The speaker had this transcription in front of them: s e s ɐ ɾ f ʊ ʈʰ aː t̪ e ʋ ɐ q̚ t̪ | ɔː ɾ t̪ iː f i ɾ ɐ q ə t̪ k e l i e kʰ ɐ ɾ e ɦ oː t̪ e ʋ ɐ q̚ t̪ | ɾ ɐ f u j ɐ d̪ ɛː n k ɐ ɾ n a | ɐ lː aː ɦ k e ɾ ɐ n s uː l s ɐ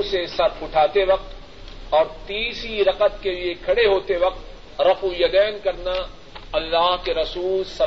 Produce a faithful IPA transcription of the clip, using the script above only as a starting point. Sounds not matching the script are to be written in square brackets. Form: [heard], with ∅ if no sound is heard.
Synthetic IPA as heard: s e s ɐ ɾ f ʊ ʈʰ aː t̪ e ʋ ɐ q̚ t̪ | ɔː ɾ t̪ iː [s] i ɾ ɐ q ə t̪ k e l i e kʰ ɐ [ɽ] e ɦ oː t̪ e ʋ ɐ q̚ t̪ | ɾ ɐ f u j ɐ d̪ ɛː n k ɐ ɾ n a | ɐ lː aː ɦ k e ɾ ɐ [∅] s uː l s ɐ